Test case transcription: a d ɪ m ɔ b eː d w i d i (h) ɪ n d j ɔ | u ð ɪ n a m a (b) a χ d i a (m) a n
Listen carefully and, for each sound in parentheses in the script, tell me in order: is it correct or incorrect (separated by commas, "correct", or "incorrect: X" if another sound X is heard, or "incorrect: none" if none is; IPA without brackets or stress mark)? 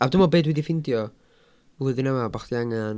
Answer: incorrect: f, correct, incorrect: ŋ